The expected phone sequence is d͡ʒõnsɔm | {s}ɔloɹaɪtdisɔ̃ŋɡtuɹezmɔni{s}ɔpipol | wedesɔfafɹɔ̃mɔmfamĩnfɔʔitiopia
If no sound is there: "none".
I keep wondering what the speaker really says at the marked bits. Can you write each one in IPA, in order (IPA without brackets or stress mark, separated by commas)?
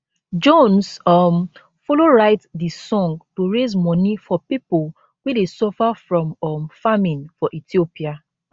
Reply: f, f